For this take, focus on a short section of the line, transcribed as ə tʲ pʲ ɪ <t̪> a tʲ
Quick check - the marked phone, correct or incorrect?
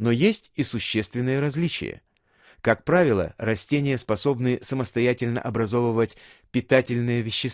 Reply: correct